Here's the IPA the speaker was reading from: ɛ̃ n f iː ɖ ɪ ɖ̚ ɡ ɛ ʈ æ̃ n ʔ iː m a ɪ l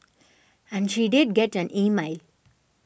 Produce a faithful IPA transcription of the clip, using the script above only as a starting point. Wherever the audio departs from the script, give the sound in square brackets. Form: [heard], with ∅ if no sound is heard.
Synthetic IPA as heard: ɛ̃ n [ʃ] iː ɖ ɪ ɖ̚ ɡ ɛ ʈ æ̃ n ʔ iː m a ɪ l

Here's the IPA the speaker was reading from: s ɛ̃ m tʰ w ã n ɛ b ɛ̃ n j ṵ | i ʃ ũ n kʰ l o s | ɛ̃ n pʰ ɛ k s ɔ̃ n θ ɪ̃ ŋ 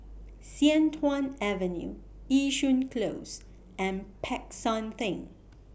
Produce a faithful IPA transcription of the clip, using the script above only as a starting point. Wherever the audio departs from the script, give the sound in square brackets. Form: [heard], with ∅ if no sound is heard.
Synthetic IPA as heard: s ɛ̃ [n] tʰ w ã n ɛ [v] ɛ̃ n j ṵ | i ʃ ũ n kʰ l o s | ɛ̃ n pʰ ɛ k s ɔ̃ n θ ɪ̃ ŋ

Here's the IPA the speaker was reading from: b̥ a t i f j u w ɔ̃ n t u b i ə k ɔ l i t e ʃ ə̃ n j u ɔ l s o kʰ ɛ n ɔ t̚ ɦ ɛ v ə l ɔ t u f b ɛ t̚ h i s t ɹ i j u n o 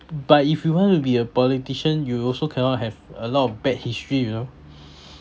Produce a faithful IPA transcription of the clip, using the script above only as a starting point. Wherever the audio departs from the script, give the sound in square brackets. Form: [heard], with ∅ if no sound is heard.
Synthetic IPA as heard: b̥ a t i f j u w ɔ̃ n t u b i ə [p] ɔ l i t [i] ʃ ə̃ n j u ɔ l s o kʰ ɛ n ɔ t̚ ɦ ɛ v ə l ɔ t [ɔ] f b ɛ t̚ h i s t ɹ i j u n o

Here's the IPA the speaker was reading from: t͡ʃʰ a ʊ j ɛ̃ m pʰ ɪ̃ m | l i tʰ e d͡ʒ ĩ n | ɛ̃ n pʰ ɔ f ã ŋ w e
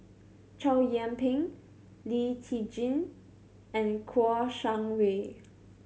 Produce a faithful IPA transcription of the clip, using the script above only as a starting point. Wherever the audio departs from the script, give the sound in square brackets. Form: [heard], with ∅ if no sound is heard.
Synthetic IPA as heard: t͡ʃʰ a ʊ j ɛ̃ m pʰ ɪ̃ [ŋ] | l i tʰ [i] d͡ʒ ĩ n | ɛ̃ n [kʰ] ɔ [ʃ] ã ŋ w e

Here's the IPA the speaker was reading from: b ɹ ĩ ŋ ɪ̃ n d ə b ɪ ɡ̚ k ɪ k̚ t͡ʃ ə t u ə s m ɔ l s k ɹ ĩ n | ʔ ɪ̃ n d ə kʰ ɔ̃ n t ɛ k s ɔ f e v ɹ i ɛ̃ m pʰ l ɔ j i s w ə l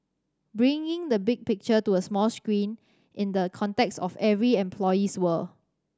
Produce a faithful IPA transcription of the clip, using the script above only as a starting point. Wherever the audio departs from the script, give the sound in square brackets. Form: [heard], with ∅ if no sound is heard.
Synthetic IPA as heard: b ɹ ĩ ŋ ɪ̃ [ŋ] d ə b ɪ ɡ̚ [p] ɪ k̚ t͡ʃ ə t u ə s m ɔ l s k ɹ ĩ n | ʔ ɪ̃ n d ə kʰ ɔ̃ n t ɛ k s ɔ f [ɛ] v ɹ i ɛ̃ m pʰ l ɔ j i s w ə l

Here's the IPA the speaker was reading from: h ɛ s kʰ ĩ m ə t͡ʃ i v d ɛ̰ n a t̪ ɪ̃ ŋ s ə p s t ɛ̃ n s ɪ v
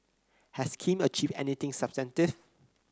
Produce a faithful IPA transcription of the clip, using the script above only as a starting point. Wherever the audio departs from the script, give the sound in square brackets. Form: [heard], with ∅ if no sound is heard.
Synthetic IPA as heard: h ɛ s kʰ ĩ m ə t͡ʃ i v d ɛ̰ n [i] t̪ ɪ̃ ŋ s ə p s t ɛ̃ n [t] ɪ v

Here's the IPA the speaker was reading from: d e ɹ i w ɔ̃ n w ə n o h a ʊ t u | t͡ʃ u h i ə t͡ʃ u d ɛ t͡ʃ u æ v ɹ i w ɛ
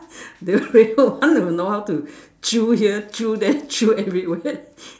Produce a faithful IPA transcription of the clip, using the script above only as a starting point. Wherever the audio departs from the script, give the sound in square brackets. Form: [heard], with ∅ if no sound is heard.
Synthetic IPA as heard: d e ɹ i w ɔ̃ n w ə n o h a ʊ t u | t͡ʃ u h i ə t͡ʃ u d ɛ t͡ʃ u [ɛ] v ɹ i w ɛ

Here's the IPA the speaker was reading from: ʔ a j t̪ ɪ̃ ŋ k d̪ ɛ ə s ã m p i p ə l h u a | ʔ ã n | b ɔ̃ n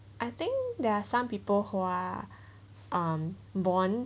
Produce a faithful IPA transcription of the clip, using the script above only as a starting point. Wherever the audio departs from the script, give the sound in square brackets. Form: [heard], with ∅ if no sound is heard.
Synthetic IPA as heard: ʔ a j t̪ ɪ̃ ŋ k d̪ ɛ [a] s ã m p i p ə l h u a | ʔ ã [m] | b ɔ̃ n

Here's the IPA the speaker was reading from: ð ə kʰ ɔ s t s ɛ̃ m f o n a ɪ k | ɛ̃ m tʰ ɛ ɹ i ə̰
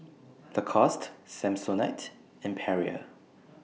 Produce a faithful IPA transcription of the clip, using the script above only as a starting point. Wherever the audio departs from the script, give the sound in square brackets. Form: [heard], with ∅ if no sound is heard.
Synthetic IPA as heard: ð ə kʰ ɔ s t s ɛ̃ m [s] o n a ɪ [t] | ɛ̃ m [pʰ] ɛ ɹ i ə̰

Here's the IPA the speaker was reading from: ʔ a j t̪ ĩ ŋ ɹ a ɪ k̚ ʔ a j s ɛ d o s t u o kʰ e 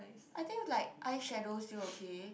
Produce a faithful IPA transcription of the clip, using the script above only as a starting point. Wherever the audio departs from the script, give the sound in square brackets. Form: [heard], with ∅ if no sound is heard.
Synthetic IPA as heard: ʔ a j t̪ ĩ ŋ [l] a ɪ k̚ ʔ a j [ʃ] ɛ d o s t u o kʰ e

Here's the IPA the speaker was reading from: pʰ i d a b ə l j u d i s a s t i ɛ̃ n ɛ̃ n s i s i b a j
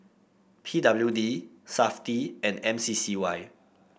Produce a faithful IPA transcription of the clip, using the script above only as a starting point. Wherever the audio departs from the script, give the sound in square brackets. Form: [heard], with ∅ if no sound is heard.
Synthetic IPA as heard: pʰ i d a b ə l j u d i s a [f] t i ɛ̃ n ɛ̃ [m] s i s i [w] a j

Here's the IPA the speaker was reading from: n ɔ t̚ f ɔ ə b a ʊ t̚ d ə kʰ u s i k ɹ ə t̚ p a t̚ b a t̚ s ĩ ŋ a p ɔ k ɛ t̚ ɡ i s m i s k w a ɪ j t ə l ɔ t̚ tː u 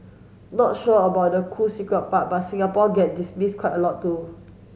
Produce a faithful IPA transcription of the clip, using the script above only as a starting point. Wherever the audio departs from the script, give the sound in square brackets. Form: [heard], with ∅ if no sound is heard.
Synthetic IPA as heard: n ɔ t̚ [ʃ] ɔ ə b a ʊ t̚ d ə kʰ u s i k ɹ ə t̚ p a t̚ b a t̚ s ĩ ŋ a p ɔ [ɡ] ɛ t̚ [d] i s m i s k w a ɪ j t ə l ɔ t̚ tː u

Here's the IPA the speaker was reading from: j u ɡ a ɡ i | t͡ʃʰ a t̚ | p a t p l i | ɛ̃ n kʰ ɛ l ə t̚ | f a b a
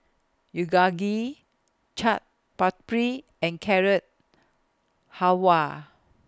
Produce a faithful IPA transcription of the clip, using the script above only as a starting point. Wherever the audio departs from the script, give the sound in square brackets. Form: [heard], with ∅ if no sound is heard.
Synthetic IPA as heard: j u ɡ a ɡ i | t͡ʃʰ a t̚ | p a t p [ɹ] i | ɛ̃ n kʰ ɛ [ɹ] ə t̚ | [h] a [w] a

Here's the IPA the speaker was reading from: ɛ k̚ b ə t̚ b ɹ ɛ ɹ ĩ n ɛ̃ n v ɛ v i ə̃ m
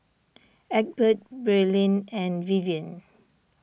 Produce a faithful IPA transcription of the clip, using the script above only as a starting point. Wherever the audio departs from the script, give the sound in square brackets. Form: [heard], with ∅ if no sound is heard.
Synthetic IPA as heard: ɛ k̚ b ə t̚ b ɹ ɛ [l] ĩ n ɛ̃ n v [i] v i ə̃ [n]

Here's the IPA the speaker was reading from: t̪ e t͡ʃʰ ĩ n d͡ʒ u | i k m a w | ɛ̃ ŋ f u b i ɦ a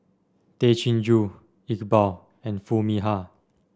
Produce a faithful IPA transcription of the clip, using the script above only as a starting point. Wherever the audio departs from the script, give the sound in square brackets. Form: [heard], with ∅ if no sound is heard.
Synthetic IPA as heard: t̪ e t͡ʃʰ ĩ n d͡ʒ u | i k [b] a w | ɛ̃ [n] f u [m] i ɦ a

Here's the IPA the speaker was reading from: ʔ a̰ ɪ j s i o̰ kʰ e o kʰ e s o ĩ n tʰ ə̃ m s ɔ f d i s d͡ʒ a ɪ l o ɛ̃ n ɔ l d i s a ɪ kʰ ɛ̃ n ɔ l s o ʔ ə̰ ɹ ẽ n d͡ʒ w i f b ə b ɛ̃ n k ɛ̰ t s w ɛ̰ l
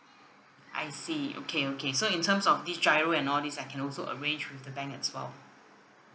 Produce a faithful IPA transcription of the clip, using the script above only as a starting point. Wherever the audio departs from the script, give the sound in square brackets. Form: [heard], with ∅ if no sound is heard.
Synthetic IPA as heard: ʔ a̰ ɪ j s i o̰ kʰ e o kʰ e s o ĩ n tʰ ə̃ m s ɔ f d i s d͡ʒ a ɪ [ɹ] o ɛ̃ n ɔ l d i s a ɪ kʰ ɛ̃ n ɔ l s o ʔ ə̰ ɹ ẽ n d͡ʒ w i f [d] ə b ɛ̃ [ŋ] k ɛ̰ t s w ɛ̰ l

